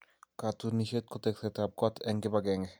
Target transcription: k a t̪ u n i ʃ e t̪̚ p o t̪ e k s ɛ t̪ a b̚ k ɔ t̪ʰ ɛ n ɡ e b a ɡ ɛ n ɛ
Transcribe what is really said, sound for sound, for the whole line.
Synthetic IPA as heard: k a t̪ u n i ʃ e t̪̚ k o t̪ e k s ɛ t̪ a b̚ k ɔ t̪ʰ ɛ ŋ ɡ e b a ɡ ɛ ŋ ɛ